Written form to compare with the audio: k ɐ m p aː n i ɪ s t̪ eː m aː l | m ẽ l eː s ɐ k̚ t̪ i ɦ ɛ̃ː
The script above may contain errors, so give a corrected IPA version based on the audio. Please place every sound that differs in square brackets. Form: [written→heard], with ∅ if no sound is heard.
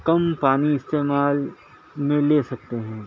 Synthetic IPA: k ɐ m p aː n i ɪ s t̪ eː m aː l | m ẽ l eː s ɐ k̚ t̪ [i→e] ɦ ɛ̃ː